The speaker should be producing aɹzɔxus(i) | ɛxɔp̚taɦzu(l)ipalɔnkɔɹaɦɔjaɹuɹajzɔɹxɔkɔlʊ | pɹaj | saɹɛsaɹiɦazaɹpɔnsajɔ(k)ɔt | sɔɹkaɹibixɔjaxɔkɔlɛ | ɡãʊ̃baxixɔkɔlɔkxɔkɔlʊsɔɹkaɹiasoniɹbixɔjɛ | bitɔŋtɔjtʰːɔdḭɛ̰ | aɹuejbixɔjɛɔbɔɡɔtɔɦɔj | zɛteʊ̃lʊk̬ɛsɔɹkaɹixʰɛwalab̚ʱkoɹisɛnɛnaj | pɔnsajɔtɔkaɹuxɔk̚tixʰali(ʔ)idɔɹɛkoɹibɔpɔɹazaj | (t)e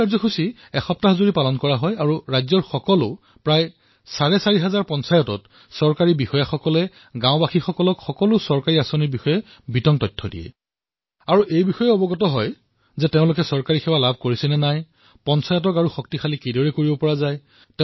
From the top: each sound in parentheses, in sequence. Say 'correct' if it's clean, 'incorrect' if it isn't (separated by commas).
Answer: correct, incorrect, incorrect, incorrect, correct